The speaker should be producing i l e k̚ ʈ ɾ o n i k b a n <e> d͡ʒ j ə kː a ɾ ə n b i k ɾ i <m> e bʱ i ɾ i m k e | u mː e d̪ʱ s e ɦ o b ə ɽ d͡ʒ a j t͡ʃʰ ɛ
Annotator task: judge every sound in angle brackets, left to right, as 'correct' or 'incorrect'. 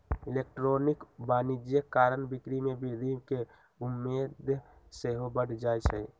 incorrect, correct

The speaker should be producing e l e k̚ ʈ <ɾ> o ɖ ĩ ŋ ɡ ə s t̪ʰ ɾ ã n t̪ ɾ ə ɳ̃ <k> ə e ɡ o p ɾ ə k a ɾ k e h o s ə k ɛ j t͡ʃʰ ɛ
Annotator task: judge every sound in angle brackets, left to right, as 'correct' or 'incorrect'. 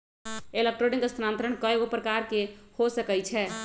correct, correct

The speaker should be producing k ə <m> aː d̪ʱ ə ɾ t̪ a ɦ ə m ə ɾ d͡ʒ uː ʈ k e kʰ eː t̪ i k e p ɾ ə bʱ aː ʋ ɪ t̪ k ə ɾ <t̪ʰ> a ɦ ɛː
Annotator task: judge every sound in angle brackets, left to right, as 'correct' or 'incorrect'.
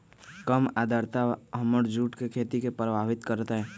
correct, incorrect

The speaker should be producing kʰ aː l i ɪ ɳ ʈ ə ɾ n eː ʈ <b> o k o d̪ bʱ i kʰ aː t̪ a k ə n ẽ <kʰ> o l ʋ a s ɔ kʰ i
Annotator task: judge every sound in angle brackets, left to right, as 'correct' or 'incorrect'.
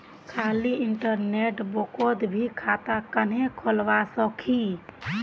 correct, correct

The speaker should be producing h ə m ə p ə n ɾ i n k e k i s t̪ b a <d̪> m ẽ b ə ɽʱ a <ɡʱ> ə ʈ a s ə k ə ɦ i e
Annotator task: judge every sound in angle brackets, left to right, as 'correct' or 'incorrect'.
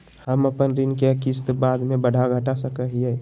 correct, correct

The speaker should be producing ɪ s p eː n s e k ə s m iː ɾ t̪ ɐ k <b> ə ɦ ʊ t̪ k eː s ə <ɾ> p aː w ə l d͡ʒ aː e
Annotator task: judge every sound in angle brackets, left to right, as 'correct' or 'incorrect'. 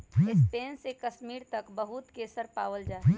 correct, correct

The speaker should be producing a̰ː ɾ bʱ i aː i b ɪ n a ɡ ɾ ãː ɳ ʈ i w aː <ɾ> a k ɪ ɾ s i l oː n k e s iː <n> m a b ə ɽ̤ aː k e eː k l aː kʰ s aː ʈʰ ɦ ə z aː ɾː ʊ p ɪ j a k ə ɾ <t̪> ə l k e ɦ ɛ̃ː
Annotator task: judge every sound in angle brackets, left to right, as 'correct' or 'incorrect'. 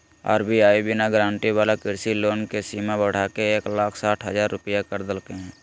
incorrect, incorrect, incorrect

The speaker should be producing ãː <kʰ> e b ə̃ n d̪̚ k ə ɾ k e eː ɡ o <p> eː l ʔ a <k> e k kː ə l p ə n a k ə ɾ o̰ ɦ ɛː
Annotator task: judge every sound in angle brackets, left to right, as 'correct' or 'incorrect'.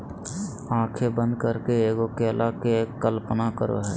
correct, incorrect, correct

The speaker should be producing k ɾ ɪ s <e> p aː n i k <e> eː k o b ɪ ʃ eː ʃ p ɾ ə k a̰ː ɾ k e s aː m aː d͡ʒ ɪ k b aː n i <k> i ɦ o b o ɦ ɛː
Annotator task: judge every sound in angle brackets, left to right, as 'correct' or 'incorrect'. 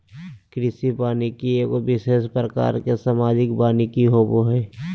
incorrect, incorrect, correct

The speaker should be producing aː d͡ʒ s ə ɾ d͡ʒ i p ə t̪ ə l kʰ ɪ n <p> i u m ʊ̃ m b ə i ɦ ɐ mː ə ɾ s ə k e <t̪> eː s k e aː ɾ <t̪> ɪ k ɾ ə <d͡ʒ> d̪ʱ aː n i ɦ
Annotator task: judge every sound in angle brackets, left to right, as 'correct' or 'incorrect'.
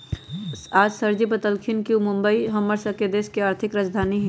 incorrect, incorrect, incorrect, correct

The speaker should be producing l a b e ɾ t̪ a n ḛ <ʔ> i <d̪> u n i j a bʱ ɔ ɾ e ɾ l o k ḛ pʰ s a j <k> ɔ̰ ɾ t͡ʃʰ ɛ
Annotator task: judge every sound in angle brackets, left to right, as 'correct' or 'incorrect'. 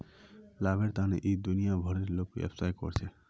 correct, correct, correct

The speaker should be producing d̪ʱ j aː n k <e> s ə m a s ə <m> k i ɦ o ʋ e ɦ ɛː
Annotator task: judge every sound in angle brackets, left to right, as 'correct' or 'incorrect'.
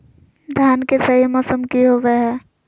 correct, correct

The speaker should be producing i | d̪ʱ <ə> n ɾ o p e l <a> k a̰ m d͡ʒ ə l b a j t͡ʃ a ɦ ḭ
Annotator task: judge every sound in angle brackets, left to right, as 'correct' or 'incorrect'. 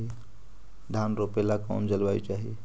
incorrect, correct

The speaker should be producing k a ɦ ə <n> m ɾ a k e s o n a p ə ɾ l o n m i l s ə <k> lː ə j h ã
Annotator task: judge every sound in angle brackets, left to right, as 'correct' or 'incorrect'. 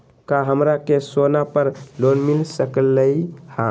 incorrect, correct

